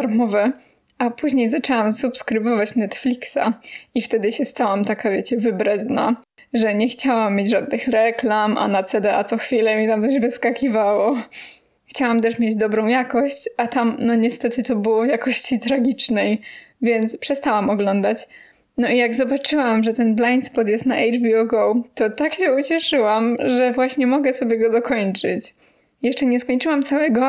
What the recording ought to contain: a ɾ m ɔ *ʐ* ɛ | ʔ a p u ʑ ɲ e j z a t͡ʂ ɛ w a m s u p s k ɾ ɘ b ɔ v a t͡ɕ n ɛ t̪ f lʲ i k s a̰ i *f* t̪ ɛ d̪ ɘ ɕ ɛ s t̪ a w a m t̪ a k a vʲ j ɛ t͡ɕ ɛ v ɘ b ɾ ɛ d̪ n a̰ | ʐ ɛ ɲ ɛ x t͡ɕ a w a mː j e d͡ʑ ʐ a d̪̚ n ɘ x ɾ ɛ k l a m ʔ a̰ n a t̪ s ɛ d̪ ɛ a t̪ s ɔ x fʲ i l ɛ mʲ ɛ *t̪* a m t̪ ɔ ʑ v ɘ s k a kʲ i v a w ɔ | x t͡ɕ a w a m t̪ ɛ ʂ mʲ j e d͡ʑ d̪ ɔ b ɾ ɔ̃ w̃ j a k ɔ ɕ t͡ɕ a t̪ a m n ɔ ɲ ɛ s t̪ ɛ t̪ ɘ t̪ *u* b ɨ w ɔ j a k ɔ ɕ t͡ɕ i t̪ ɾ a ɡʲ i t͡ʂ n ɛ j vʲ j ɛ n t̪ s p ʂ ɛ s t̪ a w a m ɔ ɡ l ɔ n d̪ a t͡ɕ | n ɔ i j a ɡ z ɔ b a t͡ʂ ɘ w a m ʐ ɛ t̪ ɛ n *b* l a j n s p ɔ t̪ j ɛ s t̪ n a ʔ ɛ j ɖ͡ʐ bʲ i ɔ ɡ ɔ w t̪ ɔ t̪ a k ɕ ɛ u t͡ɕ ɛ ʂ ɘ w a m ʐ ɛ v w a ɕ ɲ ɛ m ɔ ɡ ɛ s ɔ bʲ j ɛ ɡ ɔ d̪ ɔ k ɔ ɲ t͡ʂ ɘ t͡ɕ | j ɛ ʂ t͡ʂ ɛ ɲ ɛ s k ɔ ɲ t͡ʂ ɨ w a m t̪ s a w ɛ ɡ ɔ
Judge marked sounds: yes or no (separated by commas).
no, yes, yes, no, yes